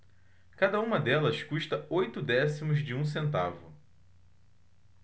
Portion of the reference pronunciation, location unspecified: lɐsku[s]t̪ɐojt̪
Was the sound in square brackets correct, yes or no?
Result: no